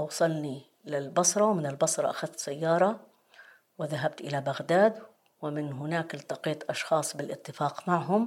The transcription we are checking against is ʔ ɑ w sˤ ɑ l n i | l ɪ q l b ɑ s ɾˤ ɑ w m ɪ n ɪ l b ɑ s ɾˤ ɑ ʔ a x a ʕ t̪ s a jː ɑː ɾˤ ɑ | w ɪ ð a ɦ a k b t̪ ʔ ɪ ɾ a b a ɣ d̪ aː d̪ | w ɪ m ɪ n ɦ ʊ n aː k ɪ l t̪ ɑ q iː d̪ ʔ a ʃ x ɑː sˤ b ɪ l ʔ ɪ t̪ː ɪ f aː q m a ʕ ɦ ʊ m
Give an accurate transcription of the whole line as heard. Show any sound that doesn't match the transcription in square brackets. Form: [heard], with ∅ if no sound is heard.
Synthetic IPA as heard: ʔ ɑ w sˤ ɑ l n i | l ɪ [∅] l b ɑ s ɾˤ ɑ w m ɪ n ɪ l b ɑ s ɾˤ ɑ ʔ a x a [ð] t̪ s a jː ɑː ɾˤ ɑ | w ɪ ð a ɦ a [∅] b t̪ ʔ ɪ [l] a b a ɣ d̪ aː d̪ | w ɪ m ɪ n ɦ ʊ n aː k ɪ l t̪ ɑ q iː [t̪] ʔ [ɑ] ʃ x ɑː sˤ b ɪ l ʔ ɪ t̪ː ɪ f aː q m a ʕ ɦ ʊ m